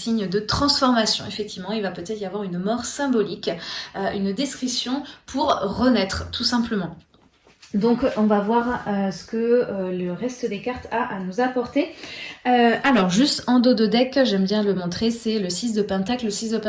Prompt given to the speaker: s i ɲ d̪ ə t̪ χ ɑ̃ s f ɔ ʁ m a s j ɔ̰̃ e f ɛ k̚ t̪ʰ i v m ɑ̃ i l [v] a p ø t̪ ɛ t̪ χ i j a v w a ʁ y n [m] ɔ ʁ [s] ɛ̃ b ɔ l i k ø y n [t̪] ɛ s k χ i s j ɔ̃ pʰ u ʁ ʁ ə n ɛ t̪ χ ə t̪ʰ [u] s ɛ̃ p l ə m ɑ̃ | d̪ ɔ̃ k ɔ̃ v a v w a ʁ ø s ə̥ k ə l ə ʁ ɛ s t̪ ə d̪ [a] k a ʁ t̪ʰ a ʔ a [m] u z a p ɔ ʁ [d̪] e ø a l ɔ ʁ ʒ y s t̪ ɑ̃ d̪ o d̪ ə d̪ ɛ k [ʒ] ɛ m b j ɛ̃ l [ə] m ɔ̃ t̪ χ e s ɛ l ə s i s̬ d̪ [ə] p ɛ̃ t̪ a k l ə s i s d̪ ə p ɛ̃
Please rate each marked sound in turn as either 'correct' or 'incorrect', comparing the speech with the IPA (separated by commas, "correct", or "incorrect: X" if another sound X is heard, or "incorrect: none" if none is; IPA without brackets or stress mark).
correct, correct, correct, incorrect: d̪, correct, incorrect: e, incorrect: n, incorrect: t̪, correct, correct, correct